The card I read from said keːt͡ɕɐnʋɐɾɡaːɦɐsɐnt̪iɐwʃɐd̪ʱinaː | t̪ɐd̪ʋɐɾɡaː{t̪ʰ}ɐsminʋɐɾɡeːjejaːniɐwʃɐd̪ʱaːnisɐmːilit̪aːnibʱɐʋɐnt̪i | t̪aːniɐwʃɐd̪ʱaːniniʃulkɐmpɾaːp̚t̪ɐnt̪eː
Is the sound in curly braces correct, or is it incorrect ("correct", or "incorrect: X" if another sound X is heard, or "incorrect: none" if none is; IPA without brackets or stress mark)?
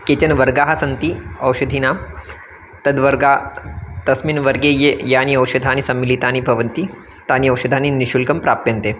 incorrect: t̪